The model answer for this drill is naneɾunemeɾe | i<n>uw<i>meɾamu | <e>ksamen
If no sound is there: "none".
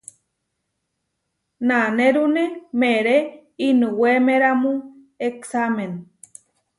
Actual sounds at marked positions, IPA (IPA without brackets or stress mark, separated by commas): n, e, e